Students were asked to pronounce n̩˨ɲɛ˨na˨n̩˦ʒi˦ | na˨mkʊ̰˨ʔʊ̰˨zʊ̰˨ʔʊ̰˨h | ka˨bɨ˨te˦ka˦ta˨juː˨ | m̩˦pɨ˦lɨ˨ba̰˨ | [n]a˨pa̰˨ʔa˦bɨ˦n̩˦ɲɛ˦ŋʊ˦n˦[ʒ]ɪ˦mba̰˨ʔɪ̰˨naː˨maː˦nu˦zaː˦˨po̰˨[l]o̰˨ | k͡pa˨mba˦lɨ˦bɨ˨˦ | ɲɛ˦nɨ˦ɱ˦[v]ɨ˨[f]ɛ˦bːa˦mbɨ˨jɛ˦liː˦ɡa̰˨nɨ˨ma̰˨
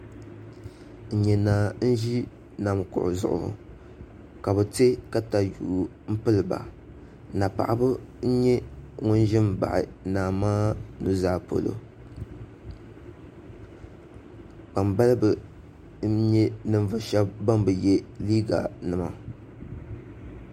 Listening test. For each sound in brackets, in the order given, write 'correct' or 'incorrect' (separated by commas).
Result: correct, correct, correct, correct, incorrect